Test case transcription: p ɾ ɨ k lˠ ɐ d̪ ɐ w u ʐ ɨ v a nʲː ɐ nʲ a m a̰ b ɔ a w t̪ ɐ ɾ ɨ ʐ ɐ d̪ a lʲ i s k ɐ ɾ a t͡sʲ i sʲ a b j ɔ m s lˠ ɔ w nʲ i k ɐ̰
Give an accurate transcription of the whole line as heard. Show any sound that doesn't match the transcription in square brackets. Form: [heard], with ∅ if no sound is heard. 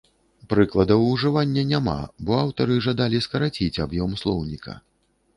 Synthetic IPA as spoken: p ɾ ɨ k lˠ ɐ d̪ ɐ w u ʐ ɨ v a nʲː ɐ nʲ a m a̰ b ɔ a w t̪ ɐ ɾ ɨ ʐ [a] d̪ a lʲ i s k ɐ ɾ a t͡sʲ i [t͡sʲ] a b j ɔ m s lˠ ɔ w nʲ i k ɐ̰

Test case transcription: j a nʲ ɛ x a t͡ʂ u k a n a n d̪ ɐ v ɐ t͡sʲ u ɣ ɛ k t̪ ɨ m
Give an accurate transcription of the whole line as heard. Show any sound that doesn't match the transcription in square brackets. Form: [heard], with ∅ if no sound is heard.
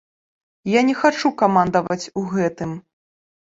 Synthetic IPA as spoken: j a nʲ ɛ x a t͡ʂ u k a [m] a n d̪ ɐ v ɐ t͡sʲ u ɣ ɛ [∅] t̪ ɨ m

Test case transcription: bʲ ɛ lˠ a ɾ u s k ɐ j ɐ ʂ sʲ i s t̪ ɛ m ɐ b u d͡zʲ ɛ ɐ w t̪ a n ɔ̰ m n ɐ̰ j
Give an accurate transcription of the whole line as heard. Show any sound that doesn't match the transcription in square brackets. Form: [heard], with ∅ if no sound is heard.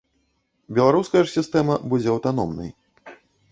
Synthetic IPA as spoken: bʲ ɛ lˠ a ɾ u s k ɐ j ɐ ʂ sʲ i s t̪ ɛ m ɐ b u d͡zʲ ɛ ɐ w t̪ a n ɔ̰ m n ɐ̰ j

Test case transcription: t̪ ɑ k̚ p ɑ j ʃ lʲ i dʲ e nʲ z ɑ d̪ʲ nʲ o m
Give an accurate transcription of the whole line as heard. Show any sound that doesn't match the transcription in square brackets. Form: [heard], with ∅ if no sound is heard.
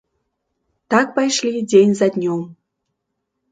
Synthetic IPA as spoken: t̪ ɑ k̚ p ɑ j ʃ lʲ i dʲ e nʲ z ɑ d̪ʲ nʲ o m

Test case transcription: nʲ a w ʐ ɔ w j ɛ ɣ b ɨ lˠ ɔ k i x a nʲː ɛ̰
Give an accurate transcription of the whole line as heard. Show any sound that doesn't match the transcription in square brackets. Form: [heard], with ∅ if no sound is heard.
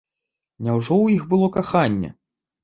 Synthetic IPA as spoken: nʲ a w ʐ ɔ w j [i] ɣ b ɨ lˠ ɔ k [a] x a nʲː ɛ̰

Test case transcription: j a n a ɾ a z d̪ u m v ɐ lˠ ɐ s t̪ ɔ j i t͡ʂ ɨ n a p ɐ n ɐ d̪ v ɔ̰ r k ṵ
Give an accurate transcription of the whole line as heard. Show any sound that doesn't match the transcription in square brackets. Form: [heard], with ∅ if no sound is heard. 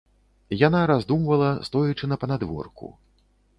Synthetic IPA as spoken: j a n a ɾ a z d̪ u m v ɐ lˠ ɐ s t̪ ɔ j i t͡ʂ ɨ n [ɐ] p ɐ n [a] d̪ v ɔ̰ r k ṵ

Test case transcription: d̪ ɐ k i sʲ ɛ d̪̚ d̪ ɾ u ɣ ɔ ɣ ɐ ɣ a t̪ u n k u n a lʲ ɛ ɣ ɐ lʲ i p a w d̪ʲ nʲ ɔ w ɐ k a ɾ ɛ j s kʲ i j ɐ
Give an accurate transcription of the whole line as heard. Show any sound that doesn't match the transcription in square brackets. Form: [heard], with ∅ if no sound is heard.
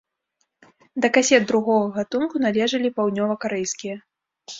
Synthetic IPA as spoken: d̪ ɐ k [a] sʲ ɛ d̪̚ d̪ ɾ u ɣ ɔ ɣ ɐ ɣ a t̪ u n k u n a lʲ ɛ [ʐ] ɐ lʲ i p a w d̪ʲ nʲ ɔ [v] ɐ k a ɾ ɛ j s kʲ i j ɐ

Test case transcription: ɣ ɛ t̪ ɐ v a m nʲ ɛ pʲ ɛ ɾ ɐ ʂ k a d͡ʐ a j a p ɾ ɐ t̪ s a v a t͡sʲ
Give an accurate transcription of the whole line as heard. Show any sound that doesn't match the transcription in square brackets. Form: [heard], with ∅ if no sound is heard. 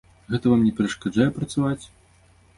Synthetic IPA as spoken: ɣ ɛ t̪ ɐ v a m nʲ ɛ pʲ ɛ ɾ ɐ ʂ k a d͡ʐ a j [ɛ] p ɾ ɐ t̪ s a v a t͡sʲ

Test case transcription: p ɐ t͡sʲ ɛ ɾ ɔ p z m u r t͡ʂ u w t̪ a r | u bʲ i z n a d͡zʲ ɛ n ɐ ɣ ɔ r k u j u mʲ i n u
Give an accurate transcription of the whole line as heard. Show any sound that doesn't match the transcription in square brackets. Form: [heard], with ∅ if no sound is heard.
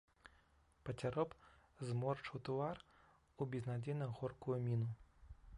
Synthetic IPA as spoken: p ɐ t͡sʲ [a] ɾ ɔ p z m [ɔ] r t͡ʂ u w t̪ a r | u bʲ i z n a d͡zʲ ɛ n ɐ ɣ ɔ r k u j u mʲ i n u

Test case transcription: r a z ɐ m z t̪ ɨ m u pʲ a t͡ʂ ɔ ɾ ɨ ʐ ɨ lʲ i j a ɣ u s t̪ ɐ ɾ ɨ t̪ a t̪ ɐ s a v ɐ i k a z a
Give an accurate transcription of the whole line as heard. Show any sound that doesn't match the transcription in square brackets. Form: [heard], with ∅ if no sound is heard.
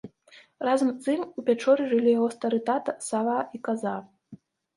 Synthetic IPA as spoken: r a z ɐ m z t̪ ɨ m u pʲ a t͡ʂ ɔ ɾ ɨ ʐ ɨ lʲ i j a ɣ [ɔ] s t̪ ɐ ɾ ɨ t̪ a t̪ ɐ s a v [a] i k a z a

